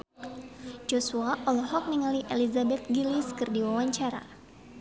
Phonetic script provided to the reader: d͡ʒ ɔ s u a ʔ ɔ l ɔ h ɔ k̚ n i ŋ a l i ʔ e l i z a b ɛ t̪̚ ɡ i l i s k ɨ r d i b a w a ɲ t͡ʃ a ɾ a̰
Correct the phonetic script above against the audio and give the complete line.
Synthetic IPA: d͡ʒ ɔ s u a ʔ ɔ l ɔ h ɔ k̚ n i ŋ a l i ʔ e l i z a b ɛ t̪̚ ɡ i l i s k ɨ r d i w a w a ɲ t͡ʃ a ɾ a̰